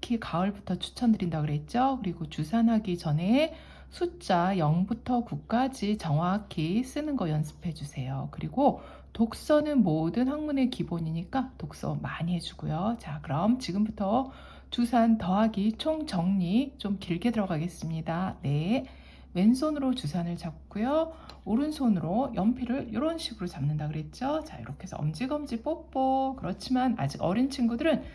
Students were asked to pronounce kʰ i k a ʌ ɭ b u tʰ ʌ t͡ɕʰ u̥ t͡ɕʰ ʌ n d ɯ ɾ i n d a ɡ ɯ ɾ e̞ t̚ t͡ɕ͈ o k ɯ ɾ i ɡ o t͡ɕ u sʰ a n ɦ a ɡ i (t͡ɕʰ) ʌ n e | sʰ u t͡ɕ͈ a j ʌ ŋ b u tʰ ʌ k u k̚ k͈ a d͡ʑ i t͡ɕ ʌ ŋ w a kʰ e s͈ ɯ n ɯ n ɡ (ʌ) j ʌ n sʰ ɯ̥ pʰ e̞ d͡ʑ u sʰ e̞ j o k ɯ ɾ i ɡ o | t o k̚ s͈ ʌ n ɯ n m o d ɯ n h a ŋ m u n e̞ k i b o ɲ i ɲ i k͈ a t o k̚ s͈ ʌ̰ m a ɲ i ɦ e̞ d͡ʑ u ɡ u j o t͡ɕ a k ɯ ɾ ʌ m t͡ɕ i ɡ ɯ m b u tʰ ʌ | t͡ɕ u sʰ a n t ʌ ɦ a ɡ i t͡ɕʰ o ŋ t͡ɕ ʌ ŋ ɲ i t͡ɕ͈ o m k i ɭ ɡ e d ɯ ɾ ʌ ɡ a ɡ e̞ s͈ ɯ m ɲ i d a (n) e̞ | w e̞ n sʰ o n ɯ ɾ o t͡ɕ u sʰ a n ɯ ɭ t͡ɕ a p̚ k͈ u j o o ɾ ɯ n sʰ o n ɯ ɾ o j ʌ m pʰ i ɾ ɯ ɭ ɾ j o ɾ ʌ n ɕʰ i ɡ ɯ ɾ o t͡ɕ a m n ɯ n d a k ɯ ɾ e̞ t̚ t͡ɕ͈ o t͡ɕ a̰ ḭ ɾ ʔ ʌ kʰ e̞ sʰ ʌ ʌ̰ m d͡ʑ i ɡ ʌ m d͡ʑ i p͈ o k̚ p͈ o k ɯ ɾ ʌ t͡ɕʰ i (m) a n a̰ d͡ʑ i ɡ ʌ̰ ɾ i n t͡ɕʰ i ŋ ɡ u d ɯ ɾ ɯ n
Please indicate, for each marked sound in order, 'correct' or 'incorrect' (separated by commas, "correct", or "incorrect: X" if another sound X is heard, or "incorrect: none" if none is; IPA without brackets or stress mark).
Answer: incorrect: t͡ɕ, correct, correct, correct